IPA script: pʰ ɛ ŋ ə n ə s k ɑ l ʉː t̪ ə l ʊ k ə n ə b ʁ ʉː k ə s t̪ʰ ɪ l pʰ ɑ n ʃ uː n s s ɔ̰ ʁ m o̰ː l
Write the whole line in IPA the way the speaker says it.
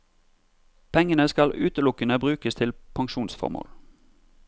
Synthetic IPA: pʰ ɛ ŋ ə n ə s k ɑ l ʉː t̪ ə l ʊ k ə n ə b ʁ ʉː k ə s t̪ʰ ɪ l pʰ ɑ ŋ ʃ uː n s f ɔ̰ ʁ m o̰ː l